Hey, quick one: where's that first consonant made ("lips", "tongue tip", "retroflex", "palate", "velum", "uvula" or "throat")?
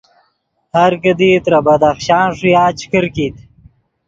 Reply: throat